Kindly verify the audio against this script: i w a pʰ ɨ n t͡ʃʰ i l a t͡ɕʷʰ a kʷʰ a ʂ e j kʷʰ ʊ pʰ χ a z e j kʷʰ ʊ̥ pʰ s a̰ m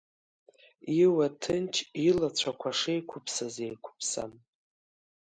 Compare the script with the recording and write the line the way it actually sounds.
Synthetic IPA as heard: i w a tʰ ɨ n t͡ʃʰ i l a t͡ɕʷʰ a kʷʰ a ʂ e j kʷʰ ʊ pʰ s a z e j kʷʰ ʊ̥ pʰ s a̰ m